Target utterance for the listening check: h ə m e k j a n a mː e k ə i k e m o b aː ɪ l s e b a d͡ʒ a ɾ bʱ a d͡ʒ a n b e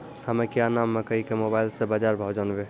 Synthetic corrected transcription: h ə m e k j a n a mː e k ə i k e m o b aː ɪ l s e b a d͡ʒ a ɾ bʱ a d͡ʒ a n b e